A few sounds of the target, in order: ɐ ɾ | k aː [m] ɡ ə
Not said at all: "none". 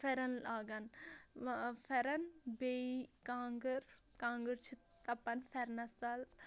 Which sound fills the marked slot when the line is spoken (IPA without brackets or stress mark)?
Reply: ŋ